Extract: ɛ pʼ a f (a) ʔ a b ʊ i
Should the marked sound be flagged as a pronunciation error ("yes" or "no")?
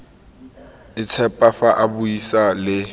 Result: no